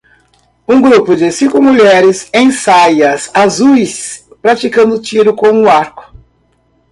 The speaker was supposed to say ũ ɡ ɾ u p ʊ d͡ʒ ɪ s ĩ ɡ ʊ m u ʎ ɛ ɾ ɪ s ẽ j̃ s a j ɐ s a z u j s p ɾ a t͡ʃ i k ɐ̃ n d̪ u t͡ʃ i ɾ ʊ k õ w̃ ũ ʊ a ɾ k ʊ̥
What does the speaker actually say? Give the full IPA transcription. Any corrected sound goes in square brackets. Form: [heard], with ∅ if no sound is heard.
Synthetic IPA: ũ ɡ ɾ u p ʊ d͡ʒ ɪ s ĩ [k] ʊ m u ʎ ɛ ɾ ɪ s ẽ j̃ s a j ɐ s a z u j s p ɾ a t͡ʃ i k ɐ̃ n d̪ [ʊ] t͡ʃ i ɾ ʊ k õ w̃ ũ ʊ a ɾ k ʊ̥